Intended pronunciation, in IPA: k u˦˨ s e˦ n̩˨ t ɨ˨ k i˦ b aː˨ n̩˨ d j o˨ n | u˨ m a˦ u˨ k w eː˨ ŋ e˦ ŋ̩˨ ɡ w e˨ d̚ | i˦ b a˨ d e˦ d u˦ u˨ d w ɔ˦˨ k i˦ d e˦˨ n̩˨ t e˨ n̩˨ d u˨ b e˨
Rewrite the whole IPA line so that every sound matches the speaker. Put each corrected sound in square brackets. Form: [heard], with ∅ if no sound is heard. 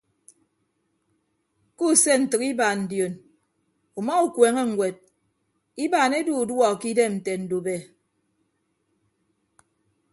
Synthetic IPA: k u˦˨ s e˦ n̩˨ t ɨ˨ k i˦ b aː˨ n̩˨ d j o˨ n | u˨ m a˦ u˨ k w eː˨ ŋ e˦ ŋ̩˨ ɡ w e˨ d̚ | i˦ b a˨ [n] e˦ d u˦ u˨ d w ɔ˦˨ k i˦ d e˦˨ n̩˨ t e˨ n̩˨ d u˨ b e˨

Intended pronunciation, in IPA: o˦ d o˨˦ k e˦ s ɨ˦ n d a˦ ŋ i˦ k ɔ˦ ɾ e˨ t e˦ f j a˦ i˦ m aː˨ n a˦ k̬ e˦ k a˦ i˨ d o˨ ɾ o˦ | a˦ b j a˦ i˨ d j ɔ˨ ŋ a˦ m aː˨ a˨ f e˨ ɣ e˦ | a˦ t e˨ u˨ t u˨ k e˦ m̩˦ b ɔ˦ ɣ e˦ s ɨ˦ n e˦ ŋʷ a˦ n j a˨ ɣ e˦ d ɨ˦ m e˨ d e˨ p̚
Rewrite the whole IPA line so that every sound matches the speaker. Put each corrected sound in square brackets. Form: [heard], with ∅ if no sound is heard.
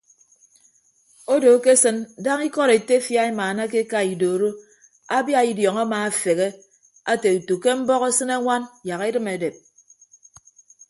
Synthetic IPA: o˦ d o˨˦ k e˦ s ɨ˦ n d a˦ ŋ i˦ k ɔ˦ ɾ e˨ t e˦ f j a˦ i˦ m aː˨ n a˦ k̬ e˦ k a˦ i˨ d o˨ ɾ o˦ | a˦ b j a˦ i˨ d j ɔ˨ ŋ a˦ m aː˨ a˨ f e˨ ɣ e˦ | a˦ t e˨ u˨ t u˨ k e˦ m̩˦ b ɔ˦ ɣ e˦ s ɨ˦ n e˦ ŋʷ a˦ n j a˨ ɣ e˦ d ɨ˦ m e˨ d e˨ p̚

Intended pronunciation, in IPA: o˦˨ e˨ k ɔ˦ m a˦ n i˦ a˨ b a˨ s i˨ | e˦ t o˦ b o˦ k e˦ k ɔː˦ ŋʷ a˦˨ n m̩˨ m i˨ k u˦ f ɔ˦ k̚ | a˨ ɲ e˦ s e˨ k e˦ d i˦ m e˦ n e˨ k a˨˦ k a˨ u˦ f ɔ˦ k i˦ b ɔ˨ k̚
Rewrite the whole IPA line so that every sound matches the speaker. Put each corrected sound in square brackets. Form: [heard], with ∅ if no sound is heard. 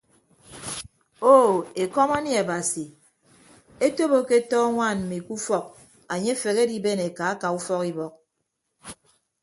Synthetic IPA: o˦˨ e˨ k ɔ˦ m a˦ n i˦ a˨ b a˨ s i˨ | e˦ t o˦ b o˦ k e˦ [t] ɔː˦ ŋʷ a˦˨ n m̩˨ m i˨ k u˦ f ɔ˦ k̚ | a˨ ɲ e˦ [f] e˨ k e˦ d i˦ [b] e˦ n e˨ k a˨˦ k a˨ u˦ f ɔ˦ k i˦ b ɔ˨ k̚

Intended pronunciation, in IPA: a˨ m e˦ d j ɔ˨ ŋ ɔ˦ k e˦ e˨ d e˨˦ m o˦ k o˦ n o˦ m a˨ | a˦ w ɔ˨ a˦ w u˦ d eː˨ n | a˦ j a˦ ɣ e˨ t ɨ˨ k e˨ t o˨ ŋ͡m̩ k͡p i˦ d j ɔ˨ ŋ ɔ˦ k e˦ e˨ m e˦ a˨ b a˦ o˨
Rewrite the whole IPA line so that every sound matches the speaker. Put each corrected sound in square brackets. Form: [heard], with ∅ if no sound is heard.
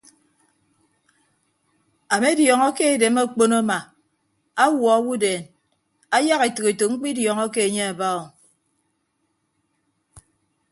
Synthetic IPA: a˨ m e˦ d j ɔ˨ ŋ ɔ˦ k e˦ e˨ d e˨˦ m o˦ [k͡p] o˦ n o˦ m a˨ | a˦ w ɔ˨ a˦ w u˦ d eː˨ n | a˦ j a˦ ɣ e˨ t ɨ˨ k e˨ t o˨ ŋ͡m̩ k͡p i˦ d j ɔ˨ ŋ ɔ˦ k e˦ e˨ [ɲ] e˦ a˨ b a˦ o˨

